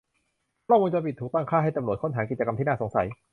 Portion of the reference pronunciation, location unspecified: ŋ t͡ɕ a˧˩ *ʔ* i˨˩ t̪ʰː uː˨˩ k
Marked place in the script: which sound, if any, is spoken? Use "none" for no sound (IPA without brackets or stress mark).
p